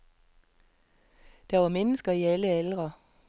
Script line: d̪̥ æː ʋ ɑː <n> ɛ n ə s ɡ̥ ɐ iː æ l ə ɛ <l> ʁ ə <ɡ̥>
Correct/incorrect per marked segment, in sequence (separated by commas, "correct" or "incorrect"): incorrect, correct, incorrect